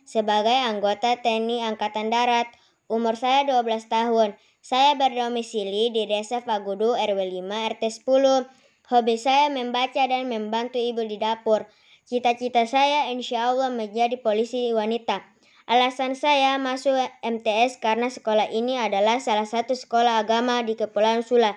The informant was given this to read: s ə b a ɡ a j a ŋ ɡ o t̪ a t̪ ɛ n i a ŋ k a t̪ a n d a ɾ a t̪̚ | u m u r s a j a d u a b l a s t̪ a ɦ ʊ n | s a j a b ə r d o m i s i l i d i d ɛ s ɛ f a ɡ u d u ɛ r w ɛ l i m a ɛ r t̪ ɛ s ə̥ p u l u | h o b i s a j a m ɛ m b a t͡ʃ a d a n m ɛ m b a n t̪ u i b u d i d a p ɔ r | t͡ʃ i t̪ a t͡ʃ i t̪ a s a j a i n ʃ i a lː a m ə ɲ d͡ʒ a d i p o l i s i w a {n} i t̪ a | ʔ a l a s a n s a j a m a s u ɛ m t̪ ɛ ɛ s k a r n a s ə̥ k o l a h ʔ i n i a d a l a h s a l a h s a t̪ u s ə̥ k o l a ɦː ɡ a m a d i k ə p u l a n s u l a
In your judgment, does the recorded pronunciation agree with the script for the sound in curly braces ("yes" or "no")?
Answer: yes